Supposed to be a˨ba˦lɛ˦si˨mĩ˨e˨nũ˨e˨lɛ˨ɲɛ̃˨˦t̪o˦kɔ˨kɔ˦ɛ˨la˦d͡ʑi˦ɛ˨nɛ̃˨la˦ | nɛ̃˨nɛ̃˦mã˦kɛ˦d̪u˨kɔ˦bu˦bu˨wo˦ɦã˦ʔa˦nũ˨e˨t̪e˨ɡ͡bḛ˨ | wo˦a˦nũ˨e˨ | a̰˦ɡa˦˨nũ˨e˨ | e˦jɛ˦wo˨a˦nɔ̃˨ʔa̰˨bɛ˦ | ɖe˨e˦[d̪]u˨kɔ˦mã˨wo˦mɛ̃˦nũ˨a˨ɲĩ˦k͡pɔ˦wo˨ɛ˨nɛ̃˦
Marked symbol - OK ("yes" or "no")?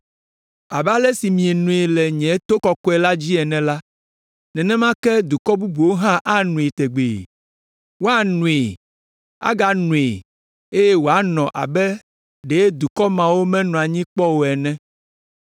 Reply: yes